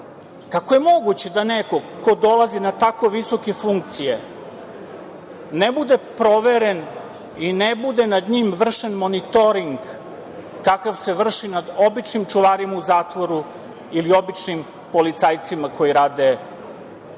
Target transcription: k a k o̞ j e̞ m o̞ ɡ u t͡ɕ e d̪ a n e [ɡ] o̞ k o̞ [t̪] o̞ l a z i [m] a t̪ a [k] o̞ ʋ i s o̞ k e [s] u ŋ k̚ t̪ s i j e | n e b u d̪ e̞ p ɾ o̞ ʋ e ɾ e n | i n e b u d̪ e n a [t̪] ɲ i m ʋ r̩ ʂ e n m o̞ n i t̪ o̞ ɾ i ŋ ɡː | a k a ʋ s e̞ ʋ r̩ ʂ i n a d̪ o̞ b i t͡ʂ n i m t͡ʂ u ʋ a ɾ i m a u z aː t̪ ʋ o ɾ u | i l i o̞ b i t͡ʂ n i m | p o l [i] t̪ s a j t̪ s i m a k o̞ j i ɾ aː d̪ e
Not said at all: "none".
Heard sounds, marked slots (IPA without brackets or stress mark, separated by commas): k, d̪, n, k, f, d̪, i